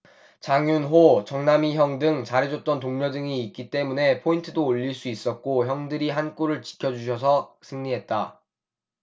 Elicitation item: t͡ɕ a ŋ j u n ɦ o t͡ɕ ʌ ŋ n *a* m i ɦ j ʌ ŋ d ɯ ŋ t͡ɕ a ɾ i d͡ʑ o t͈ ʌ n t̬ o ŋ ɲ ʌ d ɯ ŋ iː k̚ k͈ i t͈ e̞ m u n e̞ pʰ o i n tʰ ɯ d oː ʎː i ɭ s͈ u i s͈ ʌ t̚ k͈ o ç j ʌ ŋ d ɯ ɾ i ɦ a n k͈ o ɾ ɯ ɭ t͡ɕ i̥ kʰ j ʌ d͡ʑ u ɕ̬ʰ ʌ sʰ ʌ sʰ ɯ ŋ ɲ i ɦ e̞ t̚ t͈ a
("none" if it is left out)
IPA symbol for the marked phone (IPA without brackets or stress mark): a